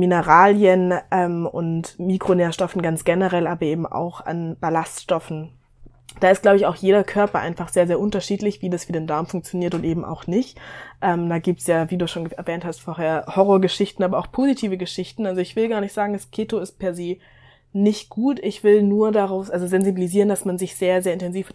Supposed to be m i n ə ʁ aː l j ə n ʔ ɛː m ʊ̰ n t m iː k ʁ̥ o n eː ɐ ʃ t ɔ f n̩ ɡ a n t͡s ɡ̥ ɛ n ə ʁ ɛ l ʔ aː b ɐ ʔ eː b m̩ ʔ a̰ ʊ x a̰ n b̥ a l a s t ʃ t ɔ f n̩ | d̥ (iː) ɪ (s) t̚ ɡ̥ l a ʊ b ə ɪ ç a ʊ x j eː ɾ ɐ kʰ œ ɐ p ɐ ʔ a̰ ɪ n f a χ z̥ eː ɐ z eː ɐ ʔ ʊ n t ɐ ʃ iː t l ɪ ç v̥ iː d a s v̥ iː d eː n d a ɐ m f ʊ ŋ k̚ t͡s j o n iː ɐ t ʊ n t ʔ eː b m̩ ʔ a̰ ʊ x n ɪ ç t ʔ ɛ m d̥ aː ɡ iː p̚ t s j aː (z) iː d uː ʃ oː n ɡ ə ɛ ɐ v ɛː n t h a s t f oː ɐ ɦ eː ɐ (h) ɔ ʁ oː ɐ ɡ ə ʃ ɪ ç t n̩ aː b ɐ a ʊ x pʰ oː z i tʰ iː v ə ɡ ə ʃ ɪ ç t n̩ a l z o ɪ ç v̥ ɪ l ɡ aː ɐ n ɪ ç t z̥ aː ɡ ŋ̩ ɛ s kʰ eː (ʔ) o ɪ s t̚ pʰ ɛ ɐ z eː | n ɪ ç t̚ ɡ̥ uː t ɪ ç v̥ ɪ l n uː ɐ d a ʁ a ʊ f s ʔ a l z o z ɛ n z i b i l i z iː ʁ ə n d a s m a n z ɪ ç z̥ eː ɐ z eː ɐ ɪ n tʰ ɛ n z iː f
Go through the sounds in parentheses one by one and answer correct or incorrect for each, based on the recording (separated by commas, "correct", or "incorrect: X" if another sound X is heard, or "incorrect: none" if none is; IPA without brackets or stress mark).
incorrect: aː, correct, incorrect: v, correct, incorrect: t